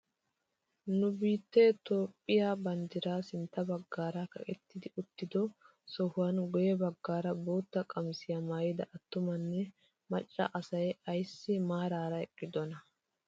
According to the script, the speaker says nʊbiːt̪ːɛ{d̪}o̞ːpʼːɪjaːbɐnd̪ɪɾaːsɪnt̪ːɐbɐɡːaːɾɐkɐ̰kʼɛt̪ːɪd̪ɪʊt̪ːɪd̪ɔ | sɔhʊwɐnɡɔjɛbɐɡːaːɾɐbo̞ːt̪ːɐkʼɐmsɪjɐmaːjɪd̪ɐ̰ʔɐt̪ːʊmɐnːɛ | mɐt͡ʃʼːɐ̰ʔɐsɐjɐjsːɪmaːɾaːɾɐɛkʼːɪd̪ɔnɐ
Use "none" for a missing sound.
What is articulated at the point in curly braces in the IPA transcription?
t̪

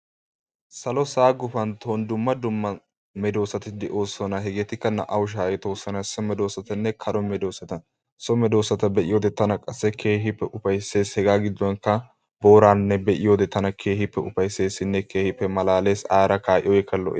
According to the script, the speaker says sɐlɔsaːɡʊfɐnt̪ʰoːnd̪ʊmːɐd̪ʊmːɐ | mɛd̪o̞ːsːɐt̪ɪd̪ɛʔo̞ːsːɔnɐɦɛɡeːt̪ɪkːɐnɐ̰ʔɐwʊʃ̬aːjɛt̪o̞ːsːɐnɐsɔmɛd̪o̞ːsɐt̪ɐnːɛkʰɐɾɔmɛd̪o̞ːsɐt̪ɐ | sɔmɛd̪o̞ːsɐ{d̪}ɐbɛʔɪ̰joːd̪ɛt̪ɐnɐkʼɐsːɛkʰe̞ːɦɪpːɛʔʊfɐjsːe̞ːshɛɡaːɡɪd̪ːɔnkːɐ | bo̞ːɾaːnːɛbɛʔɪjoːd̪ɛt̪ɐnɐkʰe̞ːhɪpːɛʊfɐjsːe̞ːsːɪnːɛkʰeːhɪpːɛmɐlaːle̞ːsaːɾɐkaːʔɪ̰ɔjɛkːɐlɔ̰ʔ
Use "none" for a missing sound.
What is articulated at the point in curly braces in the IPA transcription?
t̪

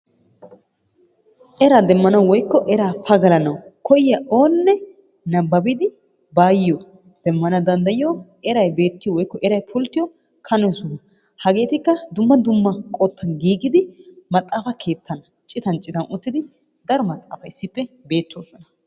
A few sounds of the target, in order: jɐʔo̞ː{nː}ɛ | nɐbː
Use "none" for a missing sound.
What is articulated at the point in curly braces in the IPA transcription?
nː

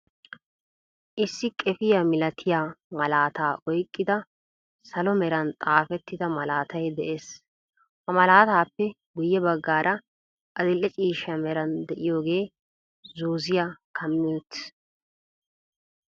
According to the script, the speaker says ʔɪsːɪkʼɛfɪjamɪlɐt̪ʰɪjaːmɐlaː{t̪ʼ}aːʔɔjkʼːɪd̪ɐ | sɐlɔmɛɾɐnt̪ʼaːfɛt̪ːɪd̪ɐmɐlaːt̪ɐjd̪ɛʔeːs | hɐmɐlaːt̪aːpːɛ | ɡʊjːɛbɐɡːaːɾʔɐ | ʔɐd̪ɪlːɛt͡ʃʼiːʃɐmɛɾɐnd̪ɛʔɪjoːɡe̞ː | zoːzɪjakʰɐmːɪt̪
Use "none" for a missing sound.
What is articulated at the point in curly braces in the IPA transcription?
t̪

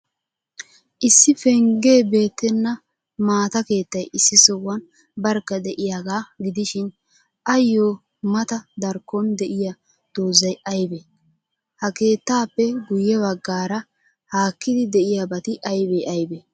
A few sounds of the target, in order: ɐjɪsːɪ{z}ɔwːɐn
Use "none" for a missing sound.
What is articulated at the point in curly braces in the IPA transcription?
s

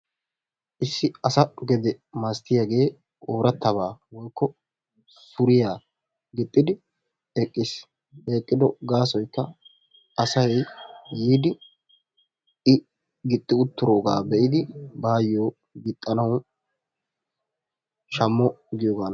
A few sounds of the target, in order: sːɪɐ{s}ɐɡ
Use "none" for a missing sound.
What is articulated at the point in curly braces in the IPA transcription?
s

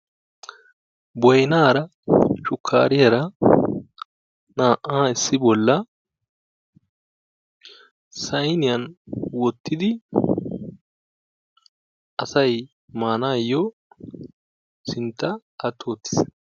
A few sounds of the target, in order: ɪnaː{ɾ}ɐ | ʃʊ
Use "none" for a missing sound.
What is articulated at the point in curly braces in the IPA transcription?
ɾ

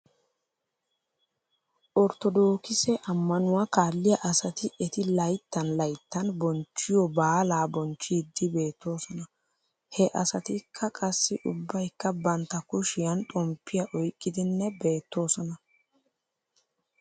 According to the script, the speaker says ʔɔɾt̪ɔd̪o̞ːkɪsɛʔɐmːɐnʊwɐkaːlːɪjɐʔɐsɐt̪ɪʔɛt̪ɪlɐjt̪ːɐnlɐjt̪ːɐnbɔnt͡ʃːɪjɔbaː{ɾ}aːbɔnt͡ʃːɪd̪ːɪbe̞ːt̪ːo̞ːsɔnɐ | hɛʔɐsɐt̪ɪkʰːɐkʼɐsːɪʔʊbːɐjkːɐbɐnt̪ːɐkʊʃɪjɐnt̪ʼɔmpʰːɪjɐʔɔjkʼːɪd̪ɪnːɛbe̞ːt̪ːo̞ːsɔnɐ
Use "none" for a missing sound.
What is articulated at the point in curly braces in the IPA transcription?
l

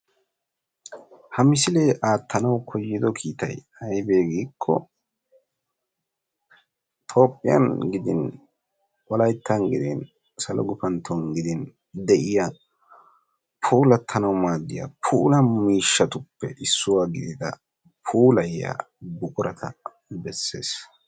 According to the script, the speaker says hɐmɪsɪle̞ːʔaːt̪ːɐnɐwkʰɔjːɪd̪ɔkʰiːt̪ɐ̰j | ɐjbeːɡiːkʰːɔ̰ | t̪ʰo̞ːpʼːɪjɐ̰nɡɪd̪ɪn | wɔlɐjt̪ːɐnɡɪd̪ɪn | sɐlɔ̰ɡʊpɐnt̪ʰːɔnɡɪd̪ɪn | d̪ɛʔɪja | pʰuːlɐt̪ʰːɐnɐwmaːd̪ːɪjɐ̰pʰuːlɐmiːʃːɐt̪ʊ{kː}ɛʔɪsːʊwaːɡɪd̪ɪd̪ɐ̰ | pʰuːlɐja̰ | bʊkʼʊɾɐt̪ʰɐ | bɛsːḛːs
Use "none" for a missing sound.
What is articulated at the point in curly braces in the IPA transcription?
pː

